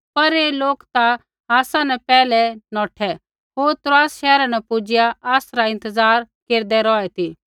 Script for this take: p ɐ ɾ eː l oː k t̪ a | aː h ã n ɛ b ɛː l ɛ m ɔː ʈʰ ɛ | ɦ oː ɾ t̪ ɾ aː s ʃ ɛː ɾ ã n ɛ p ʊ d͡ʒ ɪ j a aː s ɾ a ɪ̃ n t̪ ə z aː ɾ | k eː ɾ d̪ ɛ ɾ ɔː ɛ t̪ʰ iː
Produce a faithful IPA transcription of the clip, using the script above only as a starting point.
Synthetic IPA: p ɐ ɾ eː l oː k t̪ a | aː s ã n ɛ p ɛː l ɛ n ɔː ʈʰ ɛ | ɦ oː ɾ t̪ ɾ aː s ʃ ɛː ɾ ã n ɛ p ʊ d͡ʒ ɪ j a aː s ɾ a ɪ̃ n t̪ ə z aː ɾ | k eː ɾ d̪ ɛ ɾ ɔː ɛ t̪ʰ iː